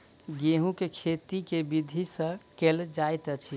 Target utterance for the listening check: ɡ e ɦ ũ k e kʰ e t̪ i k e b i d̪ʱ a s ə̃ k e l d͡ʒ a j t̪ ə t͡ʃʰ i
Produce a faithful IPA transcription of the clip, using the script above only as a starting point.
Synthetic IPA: ɡ e ɦ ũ k e kʰ e t̪ i k e b i d̪ʱ i s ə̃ k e l d͡ʒ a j t̪ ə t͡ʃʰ i